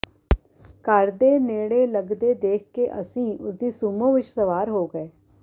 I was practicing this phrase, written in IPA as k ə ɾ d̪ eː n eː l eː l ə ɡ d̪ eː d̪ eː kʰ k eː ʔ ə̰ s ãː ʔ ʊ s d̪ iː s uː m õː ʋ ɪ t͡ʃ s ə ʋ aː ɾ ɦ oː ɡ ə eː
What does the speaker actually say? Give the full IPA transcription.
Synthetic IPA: k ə ɾ d̪ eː n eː ɽ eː l ə ɡ d̪ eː d̪ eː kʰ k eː ʔ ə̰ s ĩː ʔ ʊ s d̪ iː s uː m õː ʋ ɪ t͡ʃ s ə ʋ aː ɾ ɦ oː ɡ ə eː